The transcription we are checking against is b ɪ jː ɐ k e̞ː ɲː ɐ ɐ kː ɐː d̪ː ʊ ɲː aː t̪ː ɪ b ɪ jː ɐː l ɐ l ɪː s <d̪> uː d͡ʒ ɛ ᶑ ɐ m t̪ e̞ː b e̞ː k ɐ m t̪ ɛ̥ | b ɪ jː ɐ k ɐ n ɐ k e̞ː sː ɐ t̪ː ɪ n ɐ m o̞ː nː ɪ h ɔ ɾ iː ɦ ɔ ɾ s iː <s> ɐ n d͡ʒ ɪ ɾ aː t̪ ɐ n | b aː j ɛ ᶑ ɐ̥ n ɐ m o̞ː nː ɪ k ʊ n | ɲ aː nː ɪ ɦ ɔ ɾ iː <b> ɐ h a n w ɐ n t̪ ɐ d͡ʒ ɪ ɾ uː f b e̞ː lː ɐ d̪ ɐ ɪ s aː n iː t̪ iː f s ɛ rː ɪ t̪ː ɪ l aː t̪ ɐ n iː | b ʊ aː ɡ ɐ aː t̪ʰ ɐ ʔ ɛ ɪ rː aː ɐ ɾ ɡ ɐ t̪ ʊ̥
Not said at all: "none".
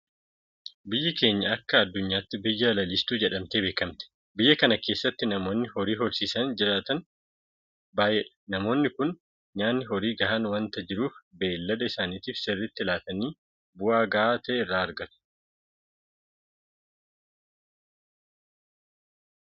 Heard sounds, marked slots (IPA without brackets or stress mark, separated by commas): t̪, s, ɡ